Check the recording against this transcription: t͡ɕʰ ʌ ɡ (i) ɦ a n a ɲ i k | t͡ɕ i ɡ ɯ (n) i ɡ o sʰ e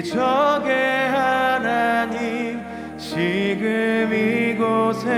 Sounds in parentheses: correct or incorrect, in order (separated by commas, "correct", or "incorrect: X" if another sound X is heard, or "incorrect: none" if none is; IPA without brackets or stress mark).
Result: incorrect: e, incorrect: m